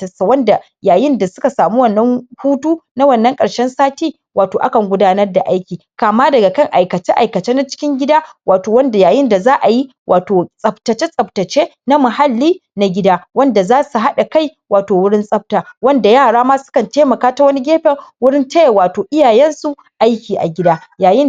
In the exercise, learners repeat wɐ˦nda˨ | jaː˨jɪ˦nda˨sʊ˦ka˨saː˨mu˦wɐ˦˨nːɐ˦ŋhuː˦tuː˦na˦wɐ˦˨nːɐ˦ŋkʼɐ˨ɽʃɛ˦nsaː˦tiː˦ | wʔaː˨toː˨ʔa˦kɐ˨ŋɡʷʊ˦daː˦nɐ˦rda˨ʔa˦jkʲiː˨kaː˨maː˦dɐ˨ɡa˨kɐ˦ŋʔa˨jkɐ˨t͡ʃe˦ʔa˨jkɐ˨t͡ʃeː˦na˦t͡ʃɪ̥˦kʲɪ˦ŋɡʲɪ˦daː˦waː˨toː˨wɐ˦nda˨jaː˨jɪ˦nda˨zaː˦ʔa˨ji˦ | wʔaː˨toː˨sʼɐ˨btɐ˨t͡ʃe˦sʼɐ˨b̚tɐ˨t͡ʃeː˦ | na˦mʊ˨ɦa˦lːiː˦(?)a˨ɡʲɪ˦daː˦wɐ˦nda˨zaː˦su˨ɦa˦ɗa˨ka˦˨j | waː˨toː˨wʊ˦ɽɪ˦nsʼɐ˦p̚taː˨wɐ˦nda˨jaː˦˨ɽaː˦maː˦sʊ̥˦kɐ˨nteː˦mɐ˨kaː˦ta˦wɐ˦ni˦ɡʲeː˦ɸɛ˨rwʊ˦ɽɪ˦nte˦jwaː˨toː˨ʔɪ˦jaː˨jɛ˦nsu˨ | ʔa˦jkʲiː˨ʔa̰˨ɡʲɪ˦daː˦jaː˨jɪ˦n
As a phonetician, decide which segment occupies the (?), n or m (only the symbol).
n